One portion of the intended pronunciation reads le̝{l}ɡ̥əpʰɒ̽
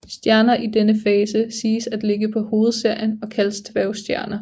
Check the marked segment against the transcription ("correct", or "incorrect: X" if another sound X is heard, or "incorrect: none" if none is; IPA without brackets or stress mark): incorrect: none